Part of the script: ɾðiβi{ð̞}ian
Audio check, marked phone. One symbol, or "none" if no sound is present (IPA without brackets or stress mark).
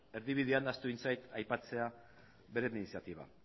ð̞